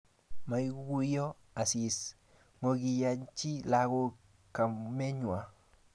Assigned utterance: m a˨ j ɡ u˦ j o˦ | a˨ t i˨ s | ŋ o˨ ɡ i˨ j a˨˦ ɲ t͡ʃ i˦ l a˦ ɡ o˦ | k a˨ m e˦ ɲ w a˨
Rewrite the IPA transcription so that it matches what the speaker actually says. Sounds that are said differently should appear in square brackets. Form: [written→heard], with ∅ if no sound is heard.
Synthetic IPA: m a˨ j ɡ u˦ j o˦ | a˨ [t→s] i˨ s | ŋ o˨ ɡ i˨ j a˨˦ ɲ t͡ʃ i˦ l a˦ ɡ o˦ | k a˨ m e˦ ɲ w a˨